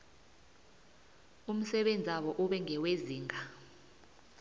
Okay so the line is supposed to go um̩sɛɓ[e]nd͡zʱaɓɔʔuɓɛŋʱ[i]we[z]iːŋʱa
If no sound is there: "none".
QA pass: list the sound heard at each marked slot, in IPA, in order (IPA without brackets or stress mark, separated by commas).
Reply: e, ɛ, z